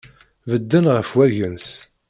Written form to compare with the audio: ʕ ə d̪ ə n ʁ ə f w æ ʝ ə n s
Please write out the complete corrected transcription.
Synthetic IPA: v ə d̪ː ə n ʁ ə f w æ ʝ ə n s